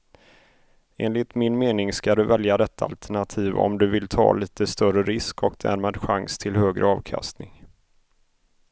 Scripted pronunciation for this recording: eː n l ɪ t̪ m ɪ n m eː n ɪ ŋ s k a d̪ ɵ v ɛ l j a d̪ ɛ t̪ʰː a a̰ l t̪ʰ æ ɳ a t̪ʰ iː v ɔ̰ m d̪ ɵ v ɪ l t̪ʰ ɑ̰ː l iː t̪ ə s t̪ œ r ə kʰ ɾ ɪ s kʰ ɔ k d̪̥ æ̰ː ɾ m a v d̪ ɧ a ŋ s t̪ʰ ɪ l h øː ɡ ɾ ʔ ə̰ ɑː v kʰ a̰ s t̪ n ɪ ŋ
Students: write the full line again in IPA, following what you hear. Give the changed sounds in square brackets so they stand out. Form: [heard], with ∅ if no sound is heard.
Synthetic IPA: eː n l ɪ t̪ m ɪ n m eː n ɪ ŋ s k a d̪ ɵ v ɛ l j a d̪ ɛ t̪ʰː a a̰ l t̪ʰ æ ɳ a t̪ʰ iː v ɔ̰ m d̪ ɵ v ɪ l t̪ʰ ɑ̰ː l iː t̪ ə s t̪ œ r ə [∅] ɾ ɪ s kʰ ɔ k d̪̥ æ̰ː ɾ m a [∅] d̪ ɧ a ŋ s t̪ʰ ɪ l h øː ɡ ɾ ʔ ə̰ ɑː v kʰ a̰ s t̪ n ɪ ŋ